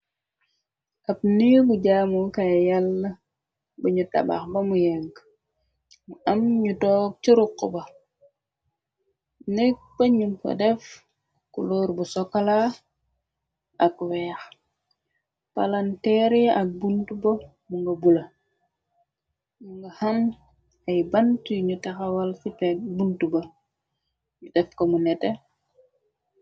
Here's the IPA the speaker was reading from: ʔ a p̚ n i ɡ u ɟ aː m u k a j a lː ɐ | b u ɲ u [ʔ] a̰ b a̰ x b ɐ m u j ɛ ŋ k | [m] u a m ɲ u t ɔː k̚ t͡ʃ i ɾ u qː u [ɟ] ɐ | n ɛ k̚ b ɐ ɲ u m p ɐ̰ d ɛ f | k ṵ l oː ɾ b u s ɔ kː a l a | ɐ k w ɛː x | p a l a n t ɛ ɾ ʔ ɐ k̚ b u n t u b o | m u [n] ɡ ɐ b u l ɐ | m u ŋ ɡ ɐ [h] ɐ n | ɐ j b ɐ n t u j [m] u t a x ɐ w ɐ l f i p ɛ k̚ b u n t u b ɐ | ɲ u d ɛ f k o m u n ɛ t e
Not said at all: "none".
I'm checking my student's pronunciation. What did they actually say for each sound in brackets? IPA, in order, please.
t, m, b, ŋ, h, ɲ

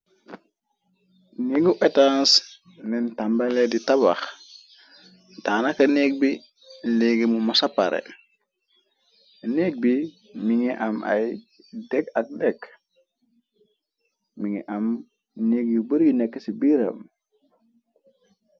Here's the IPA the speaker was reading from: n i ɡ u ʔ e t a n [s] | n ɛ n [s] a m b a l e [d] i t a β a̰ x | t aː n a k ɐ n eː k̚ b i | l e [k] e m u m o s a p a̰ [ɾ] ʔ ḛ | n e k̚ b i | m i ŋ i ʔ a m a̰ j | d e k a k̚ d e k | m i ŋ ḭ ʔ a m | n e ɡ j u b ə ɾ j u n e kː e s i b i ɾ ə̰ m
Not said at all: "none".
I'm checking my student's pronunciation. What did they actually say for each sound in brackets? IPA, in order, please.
s, t, d, ɡ, ɾ

